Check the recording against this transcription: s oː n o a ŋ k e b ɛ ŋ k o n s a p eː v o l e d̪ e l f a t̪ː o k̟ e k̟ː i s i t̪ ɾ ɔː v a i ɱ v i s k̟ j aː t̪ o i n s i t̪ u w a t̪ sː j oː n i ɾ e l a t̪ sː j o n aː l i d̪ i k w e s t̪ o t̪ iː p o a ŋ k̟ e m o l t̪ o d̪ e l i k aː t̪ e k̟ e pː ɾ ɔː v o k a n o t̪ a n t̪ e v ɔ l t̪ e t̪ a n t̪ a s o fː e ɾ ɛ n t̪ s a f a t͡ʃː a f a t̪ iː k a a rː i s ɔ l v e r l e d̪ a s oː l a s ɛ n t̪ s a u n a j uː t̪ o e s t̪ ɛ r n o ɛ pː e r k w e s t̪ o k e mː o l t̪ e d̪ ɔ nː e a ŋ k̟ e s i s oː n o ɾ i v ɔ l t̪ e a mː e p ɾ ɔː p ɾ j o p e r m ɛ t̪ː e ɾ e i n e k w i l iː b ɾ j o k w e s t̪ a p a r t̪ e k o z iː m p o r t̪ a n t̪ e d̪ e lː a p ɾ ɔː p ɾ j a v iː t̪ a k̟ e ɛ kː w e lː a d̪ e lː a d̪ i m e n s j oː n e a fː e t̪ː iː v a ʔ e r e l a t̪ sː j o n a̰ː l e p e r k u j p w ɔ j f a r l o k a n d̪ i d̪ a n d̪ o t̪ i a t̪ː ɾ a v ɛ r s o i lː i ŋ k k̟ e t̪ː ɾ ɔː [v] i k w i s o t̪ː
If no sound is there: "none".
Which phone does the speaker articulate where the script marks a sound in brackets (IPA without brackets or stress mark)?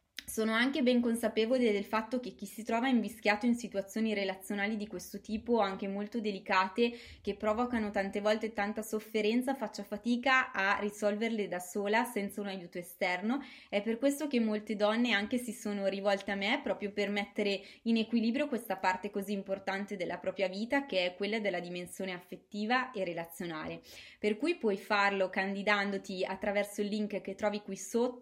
v